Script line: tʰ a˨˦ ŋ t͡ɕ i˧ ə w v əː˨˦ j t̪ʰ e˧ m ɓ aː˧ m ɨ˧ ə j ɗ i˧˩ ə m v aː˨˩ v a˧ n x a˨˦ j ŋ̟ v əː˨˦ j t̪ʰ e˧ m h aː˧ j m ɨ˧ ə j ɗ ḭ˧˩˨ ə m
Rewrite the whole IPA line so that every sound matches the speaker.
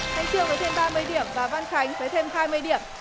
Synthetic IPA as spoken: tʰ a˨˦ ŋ t͡ɕ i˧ ə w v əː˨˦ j t̪ʰ e˧ m ɓ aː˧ m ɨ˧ ə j ɗ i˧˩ ə m v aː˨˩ v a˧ n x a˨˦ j ŋ̟ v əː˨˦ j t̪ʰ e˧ m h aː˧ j m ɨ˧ ə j ɗ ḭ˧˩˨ ə m